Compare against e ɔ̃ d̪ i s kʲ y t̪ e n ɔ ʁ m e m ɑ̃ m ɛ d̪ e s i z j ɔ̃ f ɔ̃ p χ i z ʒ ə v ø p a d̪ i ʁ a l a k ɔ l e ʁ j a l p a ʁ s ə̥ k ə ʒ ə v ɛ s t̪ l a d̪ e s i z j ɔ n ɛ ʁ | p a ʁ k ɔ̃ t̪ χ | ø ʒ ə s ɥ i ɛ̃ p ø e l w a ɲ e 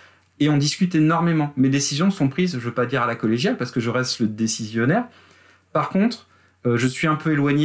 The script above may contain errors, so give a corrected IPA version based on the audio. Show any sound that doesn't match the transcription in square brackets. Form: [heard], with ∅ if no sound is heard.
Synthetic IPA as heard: e ɔ̃ d̪ i s kʲ y t̪ e n ɔ ʁ m e m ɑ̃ m [e] d̪ e s i z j ɔ̃ [s] ɔ̃ p χ i z ʒ ə v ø p a d̪ i ʁ a l a k ɔ l e [ʒ] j a l p a ʁ s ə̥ k ə ʒ ə [ʁ] ɛ s t̪ l [ə] d̪ e s i z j ɔ n ɛ ʁ | p a ʁ k ɔ̃ t̪ χ | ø ʒ ə s ɥ i ɛ̃ p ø e l w a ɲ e